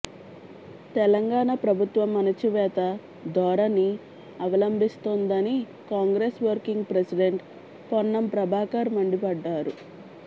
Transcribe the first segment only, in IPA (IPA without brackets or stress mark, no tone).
t̪